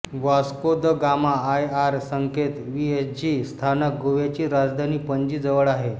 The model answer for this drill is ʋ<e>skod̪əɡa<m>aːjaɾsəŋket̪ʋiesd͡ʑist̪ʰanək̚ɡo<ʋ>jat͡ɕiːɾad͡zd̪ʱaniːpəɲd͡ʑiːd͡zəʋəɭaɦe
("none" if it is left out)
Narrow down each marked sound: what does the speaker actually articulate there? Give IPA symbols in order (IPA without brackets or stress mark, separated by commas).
a, m, ʋ